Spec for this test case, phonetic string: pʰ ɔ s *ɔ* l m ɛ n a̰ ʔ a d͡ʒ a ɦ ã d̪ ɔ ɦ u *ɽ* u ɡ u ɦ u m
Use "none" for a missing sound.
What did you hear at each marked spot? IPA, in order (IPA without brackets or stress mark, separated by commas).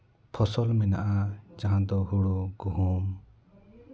ɔ, ɽ